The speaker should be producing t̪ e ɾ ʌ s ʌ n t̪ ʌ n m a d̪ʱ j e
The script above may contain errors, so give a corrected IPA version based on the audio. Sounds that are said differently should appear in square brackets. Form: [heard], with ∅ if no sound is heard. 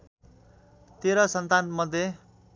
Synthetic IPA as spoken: t̪ e ɾ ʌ s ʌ n t̪ [a] n m [ʌ] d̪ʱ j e